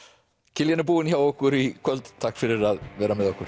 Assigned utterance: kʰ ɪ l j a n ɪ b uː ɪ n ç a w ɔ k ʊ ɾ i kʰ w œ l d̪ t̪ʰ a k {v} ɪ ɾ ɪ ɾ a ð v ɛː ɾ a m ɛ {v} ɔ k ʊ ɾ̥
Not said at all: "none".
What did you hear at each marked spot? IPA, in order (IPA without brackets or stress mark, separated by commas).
f, ð